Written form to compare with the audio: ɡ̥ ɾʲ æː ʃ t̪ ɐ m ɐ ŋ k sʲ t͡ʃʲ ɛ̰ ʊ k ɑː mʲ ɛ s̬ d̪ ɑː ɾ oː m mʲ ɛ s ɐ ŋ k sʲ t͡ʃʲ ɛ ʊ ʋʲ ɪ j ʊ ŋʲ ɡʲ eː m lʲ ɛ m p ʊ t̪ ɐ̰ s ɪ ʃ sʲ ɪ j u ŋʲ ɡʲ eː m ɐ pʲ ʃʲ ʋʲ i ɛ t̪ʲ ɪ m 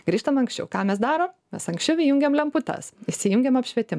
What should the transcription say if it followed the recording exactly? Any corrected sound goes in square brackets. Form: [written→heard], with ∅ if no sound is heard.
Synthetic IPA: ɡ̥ ɾʲ [æː→iː] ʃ t̪ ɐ m ɐ ŋ k sʲ t͡ʃʲ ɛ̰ ʊ k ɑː mʲ ɛ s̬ d̪ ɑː ɾ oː m mʲ ɛ s ɐ ŋ k sʲ t͡ʃʲ ɛ ʊ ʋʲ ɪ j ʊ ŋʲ ɡʲ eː m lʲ ɛ m p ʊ t̪ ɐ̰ s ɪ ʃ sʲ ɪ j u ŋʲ ɡʲ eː m ɐ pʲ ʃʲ ʋʲ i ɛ t̪ʲ ɪ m

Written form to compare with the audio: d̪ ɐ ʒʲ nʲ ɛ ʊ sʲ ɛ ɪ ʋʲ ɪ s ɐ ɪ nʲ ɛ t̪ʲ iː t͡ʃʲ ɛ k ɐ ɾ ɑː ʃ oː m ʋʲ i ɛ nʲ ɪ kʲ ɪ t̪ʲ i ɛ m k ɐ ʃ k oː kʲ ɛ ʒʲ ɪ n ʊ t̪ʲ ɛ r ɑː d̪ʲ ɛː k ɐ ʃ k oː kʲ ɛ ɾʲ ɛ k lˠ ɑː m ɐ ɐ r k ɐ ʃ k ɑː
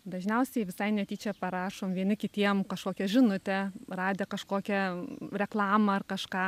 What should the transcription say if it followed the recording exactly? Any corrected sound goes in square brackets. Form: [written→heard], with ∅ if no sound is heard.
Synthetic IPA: d̪ ɐ ʒʲ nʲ ɛ ʊ sʲ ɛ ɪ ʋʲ ɪ s ɐ ɪ nʲ ɛ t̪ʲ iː t͡ʃʲ ɛ [k→p] ɐ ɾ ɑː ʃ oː m ʋʲ i ɛ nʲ ɪ kʲ ɪ t̪ʲ i ɛ m k ɐ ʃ k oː kʲ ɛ ʒʲ ɪ n ʊ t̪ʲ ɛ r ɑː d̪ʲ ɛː k ɐ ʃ k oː kʲ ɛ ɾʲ ɛ k lˠ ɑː m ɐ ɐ r k ɐ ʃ k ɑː

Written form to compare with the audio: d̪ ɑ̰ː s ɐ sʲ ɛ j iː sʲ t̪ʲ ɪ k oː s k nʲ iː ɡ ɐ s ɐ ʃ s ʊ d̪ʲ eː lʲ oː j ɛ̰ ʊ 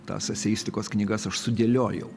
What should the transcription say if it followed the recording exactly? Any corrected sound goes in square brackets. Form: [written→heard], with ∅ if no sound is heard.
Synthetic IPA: [d̪→t̪] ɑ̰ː s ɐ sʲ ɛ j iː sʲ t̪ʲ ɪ k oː s k nʲ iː ɡ ɐ s ɐ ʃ s ʊ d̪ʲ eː lʲ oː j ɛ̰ ʊ

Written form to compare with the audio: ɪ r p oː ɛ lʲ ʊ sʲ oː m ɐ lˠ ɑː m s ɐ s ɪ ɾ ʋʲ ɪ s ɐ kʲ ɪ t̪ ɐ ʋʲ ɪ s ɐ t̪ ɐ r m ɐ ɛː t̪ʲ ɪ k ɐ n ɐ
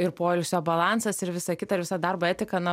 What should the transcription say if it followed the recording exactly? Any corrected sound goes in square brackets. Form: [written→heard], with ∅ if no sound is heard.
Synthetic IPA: ɪ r p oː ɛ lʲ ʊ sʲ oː [m→b] ɐ lˠ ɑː [m→n] s ɐ s ɪ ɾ ʋʲ ɪ s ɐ kʲ ɪ t̪ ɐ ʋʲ ɪ s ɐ [t̪→d̪] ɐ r [m→b] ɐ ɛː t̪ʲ ɪ k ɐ n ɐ

